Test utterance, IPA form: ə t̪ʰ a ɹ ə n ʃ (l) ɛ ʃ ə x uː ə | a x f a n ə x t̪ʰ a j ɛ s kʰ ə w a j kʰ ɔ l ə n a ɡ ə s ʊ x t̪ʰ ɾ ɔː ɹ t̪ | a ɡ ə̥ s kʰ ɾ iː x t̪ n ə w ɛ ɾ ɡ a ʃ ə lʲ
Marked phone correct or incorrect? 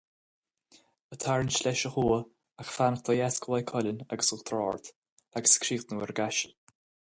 correct